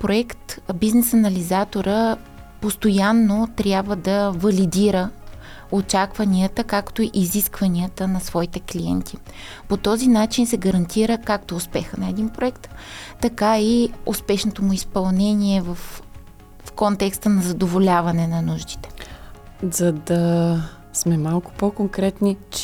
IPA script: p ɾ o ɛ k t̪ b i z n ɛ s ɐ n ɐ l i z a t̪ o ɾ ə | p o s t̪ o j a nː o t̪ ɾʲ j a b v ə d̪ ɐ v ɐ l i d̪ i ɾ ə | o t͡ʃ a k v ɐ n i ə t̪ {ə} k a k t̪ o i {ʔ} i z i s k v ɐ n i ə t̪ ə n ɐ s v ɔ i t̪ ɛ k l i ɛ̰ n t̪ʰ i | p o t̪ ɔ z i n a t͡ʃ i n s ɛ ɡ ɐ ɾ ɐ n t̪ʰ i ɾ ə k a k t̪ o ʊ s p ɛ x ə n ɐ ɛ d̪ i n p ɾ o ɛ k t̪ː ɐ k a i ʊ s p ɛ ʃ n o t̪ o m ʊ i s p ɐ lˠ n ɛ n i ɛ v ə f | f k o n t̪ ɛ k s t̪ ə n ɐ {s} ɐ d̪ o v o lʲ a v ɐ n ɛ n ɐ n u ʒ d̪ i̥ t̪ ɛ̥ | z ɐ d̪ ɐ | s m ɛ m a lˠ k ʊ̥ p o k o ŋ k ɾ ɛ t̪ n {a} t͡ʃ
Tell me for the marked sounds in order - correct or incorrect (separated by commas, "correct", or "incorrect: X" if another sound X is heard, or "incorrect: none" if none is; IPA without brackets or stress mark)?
correct, correct, incorrect: z, incorrect: i